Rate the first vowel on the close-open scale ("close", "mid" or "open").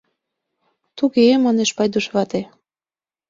close